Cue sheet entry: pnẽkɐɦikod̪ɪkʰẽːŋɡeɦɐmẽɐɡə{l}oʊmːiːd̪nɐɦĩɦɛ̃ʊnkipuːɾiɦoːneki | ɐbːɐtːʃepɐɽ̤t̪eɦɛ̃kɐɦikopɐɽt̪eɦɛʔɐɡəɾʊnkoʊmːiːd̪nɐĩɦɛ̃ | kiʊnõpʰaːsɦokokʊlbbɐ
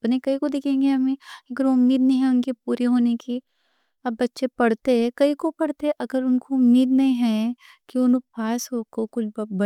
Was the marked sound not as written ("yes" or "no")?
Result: yes